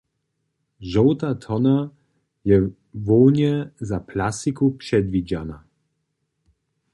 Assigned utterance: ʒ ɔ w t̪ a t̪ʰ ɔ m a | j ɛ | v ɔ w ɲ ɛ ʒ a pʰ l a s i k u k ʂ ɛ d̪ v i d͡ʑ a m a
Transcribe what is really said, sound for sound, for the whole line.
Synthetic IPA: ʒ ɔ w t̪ a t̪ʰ ɔ n a | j ɛ | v ɔ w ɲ ɛ z a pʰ l a s i k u p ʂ ɛ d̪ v i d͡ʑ a n a